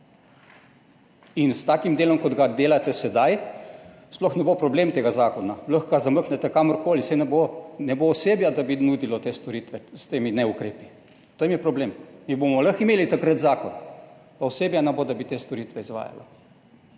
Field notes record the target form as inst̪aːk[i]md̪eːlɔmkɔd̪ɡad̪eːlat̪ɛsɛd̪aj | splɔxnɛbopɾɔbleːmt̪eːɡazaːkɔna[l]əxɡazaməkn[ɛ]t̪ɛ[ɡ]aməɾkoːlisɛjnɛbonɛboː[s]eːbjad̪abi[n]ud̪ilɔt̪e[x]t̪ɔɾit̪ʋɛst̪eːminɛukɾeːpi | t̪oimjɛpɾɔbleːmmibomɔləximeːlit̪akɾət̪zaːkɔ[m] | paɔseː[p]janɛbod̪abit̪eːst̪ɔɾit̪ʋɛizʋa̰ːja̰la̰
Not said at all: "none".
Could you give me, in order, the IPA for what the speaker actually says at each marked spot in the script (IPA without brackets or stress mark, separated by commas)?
i, l, ɛ, k, s, n, s, n, b